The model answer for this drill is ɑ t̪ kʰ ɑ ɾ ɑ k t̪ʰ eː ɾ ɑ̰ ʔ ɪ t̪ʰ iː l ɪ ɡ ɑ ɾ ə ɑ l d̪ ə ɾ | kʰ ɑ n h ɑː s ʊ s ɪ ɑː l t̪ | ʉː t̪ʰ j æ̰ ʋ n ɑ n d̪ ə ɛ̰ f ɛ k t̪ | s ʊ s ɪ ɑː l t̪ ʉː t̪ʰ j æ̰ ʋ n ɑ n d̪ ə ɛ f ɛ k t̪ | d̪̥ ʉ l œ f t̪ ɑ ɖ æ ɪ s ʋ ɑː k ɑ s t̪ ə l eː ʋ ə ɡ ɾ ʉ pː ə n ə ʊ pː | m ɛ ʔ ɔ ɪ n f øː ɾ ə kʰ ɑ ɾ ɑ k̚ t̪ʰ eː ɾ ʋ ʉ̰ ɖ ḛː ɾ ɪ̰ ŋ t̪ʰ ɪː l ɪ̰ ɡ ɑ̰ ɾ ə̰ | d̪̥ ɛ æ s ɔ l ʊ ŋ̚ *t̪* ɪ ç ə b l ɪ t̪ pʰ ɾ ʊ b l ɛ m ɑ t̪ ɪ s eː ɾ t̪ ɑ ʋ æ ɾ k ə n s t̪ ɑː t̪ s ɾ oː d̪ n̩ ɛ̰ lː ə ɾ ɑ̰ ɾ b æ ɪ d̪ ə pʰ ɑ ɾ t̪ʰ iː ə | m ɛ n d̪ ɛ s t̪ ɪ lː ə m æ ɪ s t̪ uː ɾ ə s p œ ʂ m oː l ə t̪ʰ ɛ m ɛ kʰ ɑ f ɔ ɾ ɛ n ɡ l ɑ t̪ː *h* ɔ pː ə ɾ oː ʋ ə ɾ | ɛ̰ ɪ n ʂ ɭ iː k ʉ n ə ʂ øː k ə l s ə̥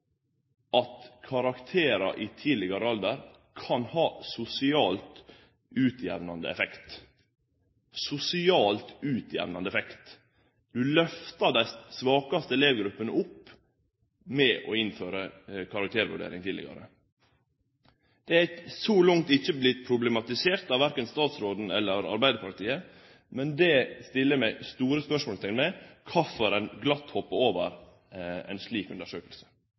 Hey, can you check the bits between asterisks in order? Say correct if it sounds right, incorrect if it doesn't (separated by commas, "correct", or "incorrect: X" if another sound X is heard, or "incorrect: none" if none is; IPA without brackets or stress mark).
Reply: correct, correct